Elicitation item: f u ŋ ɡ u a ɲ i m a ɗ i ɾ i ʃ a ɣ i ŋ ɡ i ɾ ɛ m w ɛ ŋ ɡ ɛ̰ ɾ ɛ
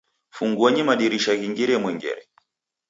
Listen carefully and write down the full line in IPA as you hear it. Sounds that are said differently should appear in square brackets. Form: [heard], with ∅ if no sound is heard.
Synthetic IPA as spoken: f u ŋ ɡ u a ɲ i m a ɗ i ɾ i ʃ a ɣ i ŋ ɡ i ɾ ɛ m w ɛ ŋ ɡ ɛ̰ ɾ ɛ